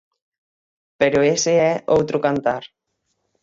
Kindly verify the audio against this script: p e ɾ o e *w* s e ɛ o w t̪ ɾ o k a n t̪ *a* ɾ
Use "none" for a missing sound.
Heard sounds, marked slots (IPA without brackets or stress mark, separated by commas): none, a